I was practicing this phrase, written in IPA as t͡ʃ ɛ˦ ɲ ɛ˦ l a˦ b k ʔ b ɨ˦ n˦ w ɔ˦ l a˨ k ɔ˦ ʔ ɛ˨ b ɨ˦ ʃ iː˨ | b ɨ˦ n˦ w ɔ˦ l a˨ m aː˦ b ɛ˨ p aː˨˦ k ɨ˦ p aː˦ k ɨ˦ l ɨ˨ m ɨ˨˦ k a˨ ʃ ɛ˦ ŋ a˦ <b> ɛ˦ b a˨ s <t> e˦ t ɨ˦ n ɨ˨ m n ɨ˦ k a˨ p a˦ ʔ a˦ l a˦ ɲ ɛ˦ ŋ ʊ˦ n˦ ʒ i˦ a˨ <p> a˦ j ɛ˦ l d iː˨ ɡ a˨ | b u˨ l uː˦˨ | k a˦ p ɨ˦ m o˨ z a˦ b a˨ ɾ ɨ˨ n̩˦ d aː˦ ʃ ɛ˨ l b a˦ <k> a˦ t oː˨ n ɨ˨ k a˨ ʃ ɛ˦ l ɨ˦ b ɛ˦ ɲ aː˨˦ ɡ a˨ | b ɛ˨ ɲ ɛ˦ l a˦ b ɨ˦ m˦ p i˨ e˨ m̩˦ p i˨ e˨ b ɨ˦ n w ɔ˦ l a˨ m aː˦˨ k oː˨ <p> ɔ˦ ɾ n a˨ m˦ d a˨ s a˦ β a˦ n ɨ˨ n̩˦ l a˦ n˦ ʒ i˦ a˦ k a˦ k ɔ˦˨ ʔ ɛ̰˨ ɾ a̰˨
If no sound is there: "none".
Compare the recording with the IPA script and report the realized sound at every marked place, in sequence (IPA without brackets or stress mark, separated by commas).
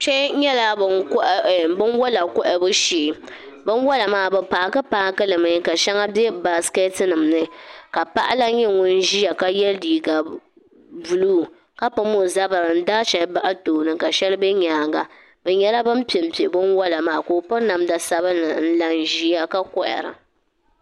b, k, k, ʔ, p